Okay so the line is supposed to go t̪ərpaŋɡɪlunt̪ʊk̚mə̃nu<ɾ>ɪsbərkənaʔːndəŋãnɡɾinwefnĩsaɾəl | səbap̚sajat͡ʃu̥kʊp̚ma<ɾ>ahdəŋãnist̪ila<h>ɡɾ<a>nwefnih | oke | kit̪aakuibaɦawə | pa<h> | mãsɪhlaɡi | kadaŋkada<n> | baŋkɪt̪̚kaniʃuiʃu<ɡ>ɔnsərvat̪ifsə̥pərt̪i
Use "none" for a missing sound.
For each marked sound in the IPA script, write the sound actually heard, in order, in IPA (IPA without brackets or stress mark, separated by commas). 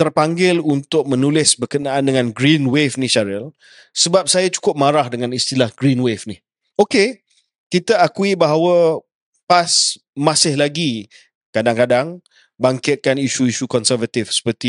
l, ɾ, h, i, s, ŋ, k